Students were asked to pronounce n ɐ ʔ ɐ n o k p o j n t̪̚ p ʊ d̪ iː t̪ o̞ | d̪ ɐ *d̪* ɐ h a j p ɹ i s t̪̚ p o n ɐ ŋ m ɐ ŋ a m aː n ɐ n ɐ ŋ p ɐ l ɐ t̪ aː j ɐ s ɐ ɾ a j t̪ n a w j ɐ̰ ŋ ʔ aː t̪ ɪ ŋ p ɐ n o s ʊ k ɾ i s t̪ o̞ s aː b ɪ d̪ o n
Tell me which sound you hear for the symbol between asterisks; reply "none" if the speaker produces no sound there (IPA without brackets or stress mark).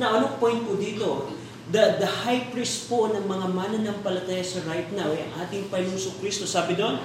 d̪